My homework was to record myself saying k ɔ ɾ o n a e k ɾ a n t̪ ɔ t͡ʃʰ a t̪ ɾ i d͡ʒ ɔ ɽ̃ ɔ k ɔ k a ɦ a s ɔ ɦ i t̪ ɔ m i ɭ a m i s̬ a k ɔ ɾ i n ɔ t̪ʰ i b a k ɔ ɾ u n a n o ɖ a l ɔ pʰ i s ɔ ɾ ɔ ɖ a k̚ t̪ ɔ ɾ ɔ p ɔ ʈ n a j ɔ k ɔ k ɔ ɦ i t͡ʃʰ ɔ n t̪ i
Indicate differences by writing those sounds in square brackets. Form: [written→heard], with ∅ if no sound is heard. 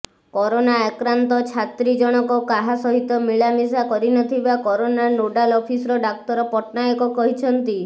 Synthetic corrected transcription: k ɔ ɾ o n a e k ɾ a n t̪ ɔ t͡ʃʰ a t̪ ɾ i d͡ʒ ɔ ɽ̃ ɔ k ɔ k a ɦ a s ɔ ɦ i t̪ ɔ m i ɭ a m i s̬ a k ɔ ɾ i n ɔ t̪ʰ i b a k ɔ ɾ [u→o] n a n o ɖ a l ɔ pʰ i s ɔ ɾ ɔ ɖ a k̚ t̪ ɔ ɾ ɔ p ɔ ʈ n a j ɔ k ɔ k ɔ ɦ i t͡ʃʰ ɔ n t̪ i